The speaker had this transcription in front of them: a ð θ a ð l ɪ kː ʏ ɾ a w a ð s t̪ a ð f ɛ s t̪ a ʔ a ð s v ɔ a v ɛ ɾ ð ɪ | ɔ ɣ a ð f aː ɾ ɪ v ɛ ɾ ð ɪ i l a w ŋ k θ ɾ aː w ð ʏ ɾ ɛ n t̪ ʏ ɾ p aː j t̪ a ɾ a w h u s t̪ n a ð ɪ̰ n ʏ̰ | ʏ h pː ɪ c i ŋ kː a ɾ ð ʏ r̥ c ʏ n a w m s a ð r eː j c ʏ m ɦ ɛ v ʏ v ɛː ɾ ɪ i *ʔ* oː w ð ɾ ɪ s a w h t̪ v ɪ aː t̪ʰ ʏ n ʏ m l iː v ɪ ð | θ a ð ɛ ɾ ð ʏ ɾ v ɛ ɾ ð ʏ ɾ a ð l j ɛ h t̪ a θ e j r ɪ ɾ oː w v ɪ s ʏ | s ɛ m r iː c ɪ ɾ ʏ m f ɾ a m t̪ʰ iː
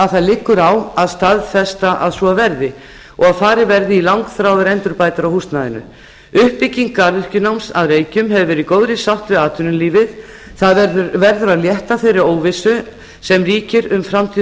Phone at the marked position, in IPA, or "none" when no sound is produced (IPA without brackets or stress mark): k